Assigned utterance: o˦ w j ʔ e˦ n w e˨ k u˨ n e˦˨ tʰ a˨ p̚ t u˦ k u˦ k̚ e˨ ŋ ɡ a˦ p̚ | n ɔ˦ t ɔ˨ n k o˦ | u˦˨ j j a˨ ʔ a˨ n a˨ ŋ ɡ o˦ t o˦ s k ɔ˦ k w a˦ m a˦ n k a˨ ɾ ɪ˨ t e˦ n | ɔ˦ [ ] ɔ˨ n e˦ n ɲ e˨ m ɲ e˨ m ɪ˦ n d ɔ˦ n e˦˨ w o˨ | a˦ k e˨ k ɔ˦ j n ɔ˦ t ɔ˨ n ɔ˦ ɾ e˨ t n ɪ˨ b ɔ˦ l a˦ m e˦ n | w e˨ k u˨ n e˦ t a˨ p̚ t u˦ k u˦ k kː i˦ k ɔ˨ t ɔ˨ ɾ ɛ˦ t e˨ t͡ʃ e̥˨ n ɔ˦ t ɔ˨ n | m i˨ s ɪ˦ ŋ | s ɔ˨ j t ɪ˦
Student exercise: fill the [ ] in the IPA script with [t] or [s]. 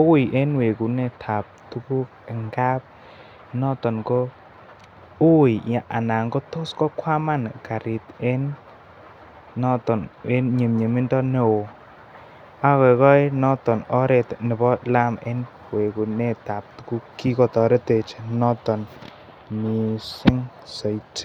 t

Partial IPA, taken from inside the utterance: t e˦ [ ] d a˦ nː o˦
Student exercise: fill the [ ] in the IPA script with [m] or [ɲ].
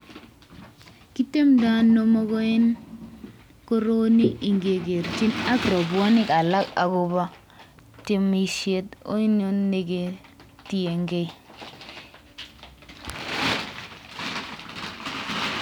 m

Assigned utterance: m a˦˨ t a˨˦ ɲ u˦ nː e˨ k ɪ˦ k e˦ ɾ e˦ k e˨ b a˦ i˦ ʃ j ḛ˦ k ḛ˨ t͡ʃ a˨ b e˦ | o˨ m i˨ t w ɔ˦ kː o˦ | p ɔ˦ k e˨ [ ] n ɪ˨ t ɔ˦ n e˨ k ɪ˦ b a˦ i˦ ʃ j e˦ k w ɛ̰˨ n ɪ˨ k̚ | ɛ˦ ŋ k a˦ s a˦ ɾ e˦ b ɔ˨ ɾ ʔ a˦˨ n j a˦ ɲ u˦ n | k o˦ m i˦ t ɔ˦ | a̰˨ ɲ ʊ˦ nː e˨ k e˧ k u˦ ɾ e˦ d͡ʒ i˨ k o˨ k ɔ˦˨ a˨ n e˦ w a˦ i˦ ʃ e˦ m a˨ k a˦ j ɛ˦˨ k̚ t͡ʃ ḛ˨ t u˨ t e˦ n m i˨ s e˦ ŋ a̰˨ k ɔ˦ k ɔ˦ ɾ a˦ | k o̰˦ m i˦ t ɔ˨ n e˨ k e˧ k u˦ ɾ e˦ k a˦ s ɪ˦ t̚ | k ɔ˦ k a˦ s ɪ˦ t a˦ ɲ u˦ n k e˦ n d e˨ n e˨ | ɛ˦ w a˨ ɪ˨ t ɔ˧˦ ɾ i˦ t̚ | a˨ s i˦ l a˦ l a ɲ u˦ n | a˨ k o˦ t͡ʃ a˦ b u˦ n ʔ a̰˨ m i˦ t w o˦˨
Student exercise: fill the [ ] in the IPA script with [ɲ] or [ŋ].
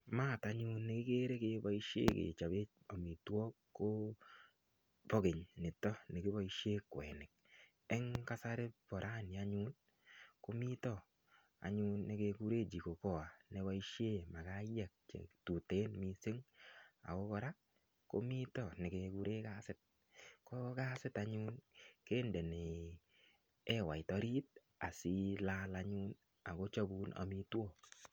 ɲ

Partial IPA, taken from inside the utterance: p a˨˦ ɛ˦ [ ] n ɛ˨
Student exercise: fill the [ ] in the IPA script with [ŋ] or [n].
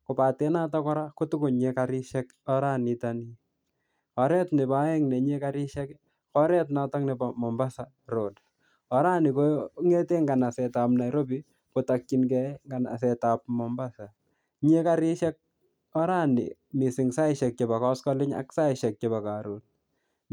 ŋ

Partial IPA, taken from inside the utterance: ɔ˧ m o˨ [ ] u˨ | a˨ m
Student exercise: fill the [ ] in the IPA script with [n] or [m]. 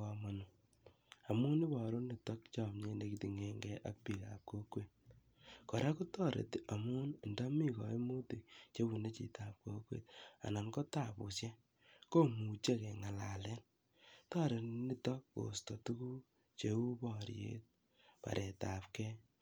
n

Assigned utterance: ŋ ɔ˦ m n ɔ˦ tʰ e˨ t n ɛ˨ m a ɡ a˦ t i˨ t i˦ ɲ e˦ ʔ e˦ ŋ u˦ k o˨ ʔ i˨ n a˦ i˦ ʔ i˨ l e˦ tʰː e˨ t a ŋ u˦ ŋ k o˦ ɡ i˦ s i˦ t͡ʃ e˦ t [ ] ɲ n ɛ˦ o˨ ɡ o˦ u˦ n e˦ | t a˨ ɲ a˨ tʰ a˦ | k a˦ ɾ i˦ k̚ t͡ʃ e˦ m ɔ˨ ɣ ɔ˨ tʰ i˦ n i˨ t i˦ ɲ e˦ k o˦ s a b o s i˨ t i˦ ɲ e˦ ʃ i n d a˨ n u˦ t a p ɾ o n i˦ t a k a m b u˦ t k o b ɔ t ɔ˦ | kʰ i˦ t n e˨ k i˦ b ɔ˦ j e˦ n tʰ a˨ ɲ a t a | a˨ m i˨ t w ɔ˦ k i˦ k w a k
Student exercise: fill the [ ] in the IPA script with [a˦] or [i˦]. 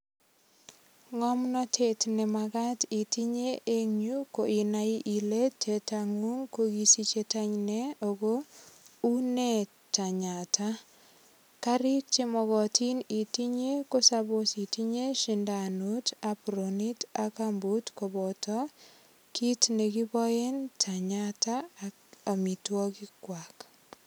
a˦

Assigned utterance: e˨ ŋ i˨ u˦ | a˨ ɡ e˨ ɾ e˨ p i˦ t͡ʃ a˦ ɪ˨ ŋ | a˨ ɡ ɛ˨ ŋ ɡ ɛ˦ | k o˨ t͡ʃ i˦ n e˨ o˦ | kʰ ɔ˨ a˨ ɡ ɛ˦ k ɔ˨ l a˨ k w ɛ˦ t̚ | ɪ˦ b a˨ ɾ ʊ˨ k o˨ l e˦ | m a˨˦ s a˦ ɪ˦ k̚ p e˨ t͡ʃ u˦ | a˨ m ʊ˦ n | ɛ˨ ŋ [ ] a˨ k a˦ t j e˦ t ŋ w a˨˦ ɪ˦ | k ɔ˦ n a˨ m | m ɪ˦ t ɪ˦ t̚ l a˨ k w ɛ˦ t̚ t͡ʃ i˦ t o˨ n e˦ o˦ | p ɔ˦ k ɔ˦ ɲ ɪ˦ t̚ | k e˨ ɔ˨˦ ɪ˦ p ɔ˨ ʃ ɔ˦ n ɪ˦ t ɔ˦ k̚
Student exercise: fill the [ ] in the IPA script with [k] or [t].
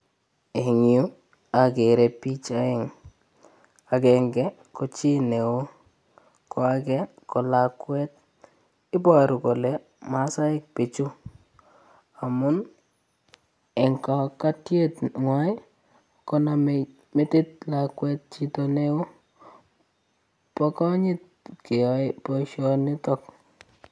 k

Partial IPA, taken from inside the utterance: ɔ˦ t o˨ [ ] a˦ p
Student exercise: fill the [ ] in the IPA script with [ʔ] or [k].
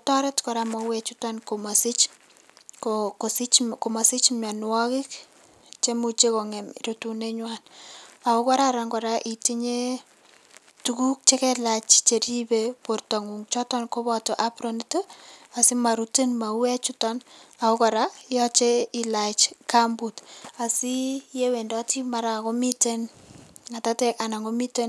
ʔ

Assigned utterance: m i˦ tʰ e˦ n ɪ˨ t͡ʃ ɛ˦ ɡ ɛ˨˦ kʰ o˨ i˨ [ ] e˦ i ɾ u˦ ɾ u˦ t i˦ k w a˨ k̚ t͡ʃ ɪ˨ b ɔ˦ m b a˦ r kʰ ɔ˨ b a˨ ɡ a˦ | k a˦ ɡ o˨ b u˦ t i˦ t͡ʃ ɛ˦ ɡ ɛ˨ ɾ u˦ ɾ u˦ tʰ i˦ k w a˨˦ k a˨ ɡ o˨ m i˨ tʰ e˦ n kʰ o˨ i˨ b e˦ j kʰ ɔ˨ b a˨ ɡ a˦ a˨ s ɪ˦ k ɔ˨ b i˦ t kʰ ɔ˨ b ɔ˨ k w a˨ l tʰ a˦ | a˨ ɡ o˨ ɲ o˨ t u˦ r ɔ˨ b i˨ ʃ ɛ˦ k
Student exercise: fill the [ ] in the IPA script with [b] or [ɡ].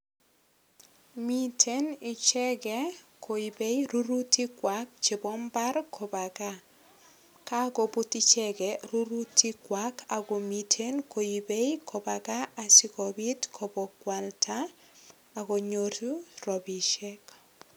b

